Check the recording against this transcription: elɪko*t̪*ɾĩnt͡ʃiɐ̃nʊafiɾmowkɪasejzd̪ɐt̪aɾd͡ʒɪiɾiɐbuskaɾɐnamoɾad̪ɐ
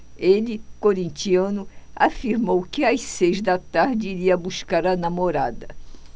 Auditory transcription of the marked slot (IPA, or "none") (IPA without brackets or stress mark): none